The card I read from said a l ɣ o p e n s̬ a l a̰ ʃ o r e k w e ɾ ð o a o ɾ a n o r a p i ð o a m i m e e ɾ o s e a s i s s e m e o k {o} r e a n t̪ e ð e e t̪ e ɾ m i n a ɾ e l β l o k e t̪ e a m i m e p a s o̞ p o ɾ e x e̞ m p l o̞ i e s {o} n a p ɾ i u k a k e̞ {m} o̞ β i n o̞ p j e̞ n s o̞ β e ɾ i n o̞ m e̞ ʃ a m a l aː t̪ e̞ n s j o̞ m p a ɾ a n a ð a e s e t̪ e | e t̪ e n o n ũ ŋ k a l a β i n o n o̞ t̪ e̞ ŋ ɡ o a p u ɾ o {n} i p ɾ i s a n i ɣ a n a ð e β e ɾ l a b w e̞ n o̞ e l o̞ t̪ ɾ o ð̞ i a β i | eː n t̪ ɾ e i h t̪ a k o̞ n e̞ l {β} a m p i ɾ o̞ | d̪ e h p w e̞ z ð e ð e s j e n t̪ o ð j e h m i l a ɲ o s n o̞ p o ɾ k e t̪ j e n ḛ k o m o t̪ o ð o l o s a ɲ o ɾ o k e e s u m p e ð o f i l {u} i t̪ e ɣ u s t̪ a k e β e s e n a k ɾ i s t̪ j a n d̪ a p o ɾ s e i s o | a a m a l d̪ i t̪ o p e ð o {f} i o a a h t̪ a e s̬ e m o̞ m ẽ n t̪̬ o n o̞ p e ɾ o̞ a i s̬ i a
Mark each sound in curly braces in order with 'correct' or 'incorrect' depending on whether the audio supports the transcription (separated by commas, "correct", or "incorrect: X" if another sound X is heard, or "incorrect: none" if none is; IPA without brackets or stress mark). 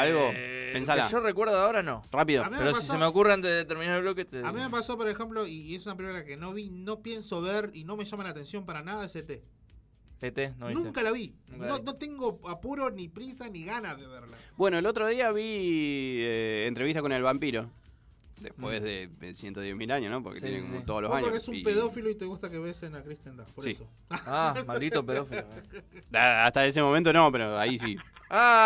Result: incorrect: u, incorrect: u, incorrect: n, correct, correct, incorrect: o, correct